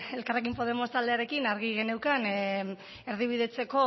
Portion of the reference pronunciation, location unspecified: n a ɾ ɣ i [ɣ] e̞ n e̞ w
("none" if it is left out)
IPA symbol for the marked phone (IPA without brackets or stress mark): ɣ